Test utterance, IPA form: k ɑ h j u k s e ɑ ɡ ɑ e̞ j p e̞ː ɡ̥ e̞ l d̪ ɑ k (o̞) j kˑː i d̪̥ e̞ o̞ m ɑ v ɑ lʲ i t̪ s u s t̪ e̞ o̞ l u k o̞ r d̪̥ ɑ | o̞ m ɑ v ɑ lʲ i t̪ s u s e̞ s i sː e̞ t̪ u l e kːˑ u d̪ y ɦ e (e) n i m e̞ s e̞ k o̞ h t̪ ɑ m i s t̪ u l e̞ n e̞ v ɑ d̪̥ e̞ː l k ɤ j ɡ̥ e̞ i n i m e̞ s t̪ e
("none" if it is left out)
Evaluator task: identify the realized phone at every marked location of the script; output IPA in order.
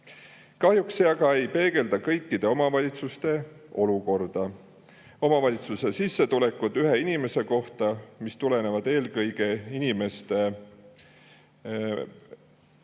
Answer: ɤ̞, i

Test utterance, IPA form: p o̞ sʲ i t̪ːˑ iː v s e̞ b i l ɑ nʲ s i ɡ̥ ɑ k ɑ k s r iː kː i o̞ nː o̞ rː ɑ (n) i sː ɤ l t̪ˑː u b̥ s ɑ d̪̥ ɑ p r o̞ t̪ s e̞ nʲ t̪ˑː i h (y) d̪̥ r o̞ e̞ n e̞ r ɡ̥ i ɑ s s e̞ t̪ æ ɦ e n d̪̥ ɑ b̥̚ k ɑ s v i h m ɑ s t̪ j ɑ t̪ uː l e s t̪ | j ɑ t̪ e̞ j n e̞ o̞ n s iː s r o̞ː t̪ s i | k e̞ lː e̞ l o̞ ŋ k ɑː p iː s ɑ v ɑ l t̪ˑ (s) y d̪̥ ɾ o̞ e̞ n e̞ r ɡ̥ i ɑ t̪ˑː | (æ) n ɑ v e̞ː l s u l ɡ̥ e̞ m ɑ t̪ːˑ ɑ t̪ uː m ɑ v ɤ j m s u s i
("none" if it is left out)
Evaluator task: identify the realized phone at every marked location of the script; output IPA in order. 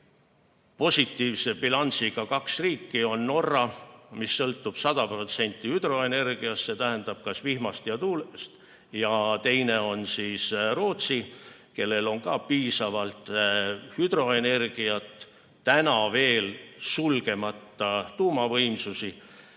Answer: m, y, h, æ

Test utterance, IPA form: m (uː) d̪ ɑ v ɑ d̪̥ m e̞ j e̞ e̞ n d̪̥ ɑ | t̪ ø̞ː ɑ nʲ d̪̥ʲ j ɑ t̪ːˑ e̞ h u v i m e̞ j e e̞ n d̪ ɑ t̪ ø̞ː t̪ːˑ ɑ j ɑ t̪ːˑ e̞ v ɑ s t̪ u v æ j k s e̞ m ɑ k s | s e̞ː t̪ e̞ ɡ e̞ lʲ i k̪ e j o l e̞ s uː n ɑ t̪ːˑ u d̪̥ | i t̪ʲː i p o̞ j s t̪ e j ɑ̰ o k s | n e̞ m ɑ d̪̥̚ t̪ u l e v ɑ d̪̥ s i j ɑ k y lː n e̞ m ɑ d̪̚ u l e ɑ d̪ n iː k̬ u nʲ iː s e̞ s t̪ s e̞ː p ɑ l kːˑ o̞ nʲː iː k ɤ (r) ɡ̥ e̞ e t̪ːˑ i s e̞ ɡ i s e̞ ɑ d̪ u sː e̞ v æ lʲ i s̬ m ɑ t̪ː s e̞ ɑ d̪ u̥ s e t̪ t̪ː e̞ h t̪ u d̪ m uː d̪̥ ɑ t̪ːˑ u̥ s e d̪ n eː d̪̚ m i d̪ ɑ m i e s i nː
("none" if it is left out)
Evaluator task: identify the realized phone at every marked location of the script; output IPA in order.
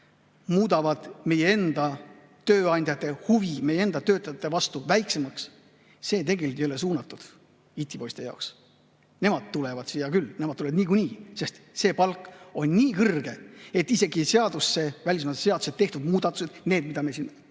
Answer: uː, r

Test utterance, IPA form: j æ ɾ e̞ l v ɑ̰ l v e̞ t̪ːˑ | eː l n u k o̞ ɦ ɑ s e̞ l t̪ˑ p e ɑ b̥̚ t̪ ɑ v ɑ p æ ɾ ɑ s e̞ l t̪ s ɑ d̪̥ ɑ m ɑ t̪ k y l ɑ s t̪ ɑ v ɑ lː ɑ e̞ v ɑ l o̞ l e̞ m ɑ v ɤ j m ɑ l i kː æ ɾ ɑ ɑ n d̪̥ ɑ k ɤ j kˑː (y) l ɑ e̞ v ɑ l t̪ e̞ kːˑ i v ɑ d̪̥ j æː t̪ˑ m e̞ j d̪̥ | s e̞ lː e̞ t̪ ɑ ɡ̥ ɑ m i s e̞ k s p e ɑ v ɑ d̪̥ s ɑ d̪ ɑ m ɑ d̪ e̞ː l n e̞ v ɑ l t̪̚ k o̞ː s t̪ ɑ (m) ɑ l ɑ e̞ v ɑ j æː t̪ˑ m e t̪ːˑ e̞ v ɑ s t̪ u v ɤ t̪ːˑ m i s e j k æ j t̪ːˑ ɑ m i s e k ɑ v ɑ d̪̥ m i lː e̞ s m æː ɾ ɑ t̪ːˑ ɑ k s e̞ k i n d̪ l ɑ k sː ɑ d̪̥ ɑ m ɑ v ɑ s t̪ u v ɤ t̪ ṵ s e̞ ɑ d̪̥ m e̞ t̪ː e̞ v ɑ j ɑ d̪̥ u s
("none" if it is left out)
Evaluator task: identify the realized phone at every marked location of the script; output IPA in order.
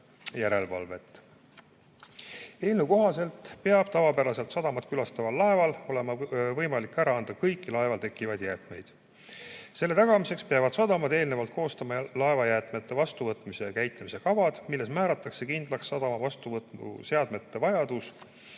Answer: i, m

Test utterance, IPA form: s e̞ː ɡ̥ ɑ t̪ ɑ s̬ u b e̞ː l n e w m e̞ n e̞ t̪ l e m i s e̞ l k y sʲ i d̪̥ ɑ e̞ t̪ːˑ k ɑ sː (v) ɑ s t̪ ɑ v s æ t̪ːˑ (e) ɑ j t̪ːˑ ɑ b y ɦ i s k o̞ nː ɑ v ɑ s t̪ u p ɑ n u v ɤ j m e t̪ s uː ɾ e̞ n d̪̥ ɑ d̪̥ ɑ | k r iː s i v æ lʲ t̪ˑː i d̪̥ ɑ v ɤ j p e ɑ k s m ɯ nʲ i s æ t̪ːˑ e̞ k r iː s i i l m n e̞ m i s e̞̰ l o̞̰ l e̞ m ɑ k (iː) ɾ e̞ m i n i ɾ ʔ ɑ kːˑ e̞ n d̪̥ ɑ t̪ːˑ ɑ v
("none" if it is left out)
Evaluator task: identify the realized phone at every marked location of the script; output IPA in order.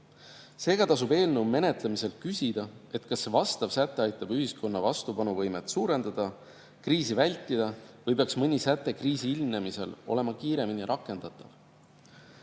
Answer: v, e, iː

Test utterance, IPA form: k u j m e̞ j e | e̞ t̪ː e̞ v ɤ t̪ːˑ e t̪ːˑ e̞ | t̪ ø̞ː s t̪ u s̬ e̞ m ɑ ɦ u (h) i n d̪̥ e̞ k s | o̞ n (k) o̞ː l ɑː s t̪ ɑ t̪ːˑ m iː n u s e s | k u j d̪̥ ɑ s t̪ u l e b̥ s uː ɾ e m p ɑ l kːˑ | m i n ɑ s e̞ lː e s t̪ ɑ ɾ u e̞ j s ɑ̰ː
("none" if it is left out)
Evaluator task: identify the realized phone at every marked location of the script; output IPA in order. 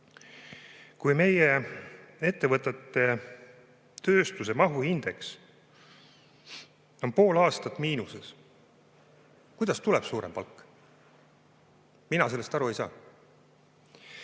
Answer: h, p

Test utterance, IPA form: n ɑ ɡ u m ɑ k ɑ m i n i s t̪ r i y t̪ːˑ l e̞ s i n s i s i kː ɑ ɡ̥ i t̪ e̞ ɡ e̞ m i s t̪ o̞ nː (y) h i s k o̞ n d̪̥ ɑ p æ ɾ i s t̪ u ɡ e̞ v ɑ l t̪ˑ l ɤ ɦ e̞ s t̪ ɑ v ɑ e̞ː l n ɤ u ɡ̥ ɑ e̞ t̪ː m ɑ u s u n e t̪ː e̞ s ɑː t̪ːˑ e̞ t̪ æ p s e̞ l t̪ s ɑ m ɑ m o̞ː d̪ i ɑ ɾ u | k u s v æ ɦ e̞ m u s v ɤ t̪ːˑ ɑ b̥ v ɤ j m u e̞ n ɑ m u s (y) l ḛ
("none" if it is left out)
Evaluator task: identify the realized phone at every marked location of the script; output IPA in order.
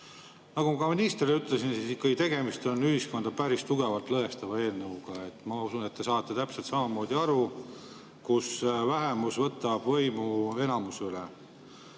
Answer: y, y

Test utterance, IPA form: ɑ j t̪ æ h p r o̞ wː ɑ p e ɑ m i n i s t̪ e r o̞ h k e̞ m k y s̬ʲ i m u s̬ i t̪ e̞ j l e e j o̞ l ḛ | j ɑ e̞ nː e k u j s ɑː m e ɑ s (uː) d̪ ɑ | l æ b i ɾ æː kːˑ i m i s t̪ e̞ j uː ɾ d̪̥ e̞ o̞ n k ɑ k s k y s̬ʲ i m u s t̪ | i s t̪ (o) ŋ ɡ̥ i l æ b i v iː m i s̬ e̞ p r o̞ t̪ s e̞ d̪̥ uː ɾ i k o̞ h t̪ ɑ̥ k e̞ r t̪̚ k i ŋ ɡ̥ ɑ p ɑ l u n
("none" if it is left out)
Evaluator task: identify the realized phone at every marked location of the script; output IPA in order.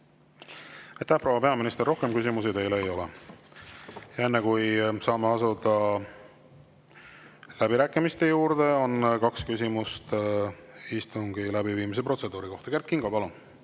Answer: u, u

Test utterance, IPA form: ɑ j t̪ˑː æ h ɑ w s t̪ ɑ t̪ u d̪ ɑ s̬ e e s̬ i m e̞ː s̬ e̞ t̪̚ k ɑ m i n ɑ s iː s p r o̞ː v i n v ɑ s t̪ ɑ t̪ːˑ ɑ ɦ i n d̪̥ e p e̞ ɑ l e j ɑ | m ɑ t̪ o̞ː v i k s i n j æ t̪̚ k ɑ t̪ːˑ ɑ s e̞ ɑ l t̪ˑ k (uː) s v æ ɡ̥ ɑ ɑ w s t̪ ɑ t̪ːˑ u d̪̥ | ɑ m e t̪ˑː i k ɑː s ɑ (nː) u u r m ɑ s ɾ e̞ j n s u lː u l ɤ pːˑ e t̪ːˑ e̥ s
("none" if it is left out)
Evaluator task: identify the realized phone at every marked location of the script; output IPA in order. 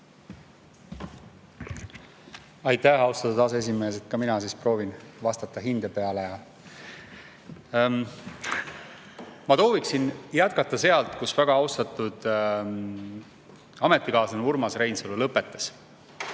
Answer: u, n

